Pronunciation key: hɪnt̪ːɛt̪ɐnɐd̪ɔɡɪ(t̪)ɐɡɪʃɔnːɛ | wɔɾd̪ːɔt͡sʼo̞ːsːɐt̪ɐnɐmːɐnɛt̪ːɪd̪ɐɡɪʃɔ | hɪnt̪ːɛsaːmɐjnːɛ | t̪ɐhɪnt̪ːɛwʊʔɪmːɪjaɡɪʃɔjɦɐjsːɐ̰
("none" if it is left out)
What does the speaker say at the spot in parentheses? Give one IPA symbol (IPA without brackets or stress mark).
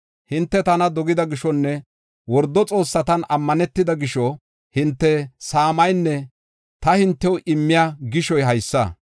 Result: d̪